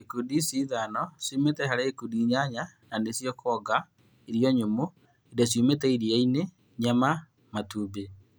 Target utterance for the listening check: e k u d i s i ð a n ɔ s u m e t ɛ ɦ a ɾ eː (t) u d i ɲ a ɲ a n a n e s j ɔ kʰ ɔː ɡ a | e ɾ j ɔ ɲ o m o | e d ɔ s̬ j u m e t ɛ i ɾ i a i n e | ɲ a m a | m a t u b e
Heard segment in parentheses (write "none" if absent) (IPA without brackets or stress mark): k